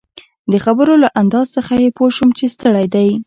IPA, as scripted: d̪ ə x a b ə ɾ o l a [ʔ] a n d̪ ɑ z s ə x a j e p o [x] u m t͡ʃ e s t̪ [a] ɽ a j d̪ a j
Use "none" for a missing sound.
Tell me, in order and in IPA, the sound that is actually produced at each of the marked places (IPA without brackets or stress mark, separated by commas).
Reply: ʔ, ʃ, ə